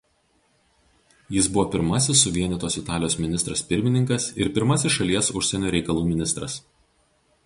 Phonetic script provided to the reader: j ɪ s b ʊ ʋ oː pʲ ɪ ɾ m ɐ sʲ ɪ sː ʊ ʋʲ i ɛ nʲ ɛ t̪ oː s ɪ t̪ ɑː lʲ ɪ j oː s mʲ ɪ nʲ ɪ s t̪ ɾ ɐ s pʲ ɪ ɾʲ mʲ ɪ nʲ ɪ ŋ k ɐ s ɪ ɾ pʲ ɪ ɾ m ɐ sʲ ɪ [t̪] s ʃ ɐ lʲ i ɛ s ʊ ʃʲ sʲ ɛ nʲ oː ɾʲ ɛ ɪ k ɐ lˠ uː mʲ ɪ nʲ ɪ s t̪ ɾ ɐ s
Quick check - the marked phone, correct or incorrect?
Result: incorrect